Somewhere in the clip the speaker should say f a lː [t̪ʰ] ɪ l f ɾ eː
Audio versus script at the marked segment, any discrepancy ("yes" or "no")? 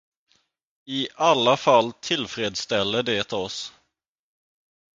no